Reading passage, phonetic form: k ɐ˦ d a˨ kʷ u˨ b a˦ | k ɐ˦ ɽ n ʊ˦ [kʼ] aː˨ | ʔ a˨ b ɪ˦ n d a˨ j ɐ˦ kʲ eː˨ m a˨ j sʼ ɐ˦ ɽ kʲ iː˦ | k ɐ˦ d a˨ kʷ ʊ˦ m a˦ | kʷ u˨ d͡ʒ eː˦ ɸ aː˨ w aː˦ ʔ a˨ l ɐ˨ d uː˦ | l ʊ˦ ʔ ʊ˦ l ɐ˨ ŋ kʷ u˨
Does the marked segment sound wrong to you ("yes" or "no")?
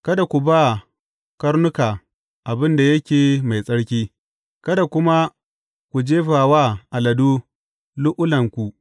yes